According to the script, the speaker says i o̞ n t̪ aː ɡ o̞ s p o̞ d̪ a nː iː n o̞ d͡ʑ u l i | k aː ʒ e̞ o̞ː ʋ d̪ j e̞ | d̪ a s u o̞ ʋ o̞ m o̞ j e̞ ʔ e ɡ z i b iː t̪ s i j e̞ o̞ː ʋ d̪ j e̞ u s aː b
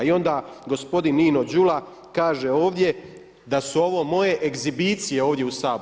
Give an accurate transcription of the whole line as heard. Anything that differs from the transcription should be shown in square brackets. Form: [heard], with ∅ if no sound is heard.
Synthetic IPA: i o̞ n [d̪] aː ɡ o̞ s p o̞ d̪ [i] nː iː n o̞ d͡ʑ u l [a] | k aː ʒ e̞ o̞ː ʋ d̪ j e̞ | d̪ a s u o̞ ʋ o̞ m o̞ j e̞ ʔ e ɡ z i b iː t̪ s i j e̞ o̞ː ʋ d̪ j e̞ u s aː b